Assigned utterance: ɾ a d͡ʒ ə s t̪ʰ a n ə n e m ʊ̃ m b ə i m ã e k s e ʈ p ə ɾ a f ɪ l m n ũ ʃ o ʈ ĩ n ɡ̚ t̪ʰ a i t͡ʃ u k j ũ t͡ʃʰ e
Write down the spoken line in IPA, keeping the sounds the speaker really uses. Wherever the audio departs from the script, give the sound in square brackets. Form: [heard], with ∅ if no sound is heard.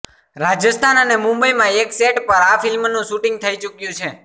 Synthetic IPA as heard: ɾ a d͡ʒ ə s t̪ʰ a n ə n e m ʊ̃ m b ə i m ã e k s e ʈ p ə ɾ a f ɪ l m n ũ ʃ [u] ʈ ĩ [ŋ] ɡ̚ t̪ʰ [ə] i t͡ʃ u k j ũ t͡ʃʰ e